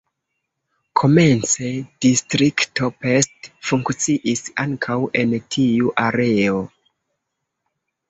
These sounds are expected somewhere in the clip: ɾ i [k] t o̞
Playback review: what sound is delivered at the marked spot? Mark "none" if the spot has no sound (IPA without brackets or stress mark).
k